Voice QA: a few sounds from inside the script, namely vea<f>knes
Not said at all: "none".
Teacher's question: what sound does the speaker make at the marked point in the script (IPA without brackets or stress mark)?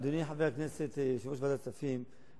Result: none